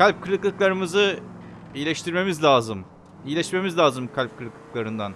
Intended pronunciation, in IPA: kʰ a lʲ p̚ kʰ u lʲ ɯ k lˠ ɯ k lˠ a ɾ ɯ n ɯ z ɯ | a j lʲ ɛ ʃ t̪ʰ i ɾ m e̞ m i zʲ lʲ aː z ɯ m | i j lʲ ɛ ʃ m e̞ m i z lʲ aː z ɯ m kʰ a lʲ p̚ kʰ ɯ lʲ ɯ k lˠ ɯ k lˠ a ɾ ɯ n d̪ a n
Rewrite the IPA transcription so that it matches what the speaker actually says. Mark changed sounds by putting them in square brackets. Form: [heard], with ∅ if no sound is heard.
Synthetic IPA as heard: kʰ a lʲ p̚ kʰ [ɯ] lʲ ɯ k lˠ ɯ k lˠ a ɾ ɯ [m] ɯ z ɯ | [i] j lʲ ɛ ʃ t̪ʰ i ɾ m e̞ m i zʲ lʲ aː z ɯ m | i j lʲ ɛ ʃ m e̞ m i z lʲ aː z ɯ m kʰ a lʲ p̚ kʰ ɯ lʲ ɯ k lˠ ɯ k lˠ a ɾ ɯ n d̪ a n